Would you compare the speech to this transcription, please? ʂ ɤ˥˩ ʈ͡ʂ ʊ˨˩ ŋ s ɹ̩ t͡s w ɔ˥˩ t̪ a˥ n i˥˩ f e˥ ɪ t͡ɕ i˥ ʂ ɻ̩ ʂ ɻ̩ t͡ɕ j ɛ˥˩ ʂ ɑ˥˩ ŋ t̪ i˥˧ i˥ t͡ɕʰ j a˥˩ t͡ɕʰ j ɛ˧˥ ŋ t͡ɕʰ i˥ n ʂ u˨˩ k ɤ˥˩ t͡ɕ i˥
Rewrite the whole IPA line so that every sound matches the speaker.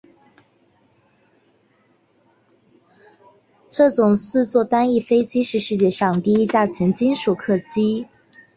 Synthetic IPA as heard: ʈ͡ʂ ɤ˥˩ ʈ͡ʂ ʊ˨˩ ŋ s ɹ̩ t͡s w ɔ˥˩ t̪ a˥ n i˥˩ f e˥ ɪ t͡ɕ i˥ ʂ ɻ̩ ʂ ɻ̩ t͡ɕ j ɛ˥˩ ʂ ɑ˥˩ ŋ t̪ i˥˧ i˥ t͡ɕ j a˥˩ t͡ɕʰ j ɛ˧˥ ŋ t͡ɕ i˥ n ʂ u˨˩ kʰ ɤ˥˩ t͡ɕ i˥